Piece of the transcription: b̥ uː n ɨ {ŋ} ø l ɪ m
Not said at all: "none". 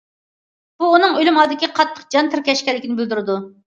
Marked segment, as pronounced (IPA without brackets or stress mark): ŋ